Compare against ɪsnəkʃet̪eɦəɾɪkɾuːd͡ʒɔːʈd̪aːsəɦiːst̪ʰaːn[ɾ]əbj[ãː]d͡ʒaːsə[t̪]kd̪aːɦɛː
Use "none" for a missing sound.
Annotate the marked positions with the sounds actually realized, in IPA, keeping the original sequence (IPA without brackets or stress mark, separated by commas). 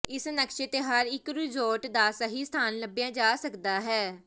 l, ãː, none